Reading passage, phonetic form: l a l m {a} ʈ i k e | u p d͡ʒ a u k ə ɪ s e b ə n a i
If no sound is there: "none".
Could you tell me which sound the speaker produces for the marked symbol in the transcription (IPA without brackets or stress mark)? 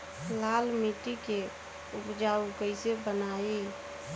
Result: i